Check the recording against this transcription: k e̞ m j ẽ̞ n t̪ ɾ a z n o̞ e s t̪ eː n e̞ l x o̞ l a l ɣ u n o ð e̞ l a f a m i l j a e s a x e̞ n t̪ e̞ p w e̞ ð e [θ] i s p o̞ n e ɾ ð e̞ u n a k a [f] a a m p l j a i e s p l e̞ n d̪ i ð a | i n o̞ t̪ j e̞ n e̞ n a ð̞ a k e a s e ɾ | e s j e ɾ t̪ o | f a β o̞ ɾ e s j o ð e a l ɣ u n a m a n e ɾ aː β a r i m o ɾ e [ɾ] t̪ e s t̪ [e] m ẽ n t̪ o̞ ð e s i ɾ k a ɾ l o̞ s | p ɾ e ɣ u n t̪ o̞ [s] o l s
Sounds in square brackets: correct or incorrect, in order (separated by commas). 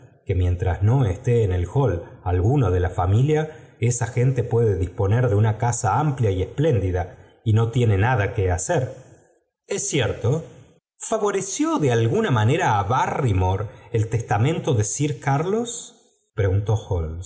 incorrect, incorrect, incorrect, incorrect, incorrect